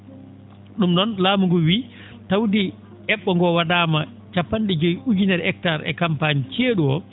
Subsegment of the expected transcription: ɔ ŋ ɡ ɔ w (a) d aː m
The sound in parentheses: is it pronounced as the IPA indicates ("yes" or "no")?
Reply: yes